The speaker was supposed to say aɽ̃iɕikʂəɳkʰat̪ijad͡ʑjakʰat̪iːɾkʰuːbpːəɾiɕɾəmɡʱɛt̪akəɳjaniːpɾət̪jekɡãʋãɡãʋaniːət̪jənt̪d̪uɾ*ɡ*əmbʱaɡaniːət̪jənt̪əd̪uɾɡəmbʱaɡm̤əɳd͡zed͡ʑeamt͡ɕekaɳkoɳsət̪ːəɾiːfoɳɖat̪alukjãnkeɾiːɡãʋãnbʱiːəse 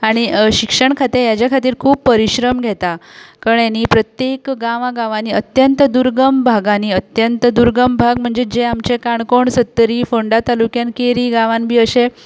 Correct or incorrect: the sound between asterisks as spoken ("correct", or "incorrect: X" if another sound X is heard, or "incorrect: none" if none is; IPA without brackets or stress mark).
correct